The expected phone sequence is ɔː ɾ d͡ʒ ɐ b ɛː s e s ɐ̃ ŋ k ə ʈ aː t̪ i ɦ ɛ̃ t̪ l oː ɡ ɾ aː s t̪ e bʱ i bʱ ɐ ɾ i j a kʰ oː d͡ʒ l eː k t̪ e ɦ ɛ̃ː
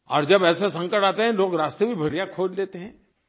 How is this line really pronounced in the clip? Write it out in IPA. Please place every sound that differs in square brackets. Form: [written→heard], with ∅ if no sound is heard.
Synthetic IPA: ɔː ɾ d͡ʒ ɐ b ɛː s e s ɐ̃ ŋ k ə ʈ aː t̪ [i→e] ɦ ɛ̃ [t̪→∅] l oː ɡ ɾ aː s t̪ e bʱ i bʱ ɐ ɾ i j a kʰ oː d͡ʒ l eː [k→∅] t̪ e ɦ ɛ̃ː